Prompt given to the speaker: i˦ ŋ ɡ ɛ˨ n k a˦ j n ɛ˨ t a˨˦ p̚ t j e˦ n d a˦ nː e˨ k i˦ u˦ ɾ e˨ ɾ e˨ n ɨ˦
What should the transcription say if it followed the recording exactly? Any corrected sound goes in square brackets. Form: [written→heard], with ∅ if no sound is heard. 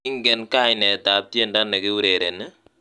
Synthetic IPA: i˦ ŋ ɡ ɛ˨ n k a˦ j n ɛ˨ t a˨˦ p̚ t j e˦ n d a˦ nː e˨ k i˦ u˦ ɾ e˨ ɾ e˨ n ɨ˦